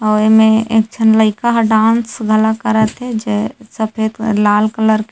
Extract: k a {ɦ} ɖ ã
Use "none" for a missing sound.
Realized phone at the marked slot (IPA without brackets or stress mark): ɦ